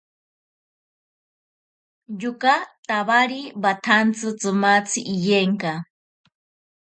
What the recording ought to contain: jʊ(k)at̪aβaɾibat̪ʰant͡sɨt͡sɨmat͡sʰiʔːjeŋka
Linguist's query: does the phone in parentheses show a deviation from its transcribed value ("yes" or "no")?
no